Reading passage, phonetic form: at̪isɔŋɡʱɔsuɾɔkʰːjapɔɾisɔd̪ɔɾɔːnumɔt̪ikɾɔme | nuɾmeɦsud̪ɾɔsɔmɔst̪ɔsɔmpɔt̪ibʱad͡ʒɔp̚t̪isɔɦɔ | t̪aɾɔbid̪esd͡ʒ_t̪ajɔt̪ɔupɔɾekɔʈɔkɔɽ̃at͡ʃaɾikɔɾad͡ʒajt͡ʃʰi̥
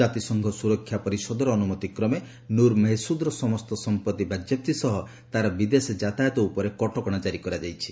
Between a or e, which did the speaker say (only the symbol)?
a